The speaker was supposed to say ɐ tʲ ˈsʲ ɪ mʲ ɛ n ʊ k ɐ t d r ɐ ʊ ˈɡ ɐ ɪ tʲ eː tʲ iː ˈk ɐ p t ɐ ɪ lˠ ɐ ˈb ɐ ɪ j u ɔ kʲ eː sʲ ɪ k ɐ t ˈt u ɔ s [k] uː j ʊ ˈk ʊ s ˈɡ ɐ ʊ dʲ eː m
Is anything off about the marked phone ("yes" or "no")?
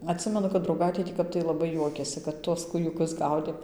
no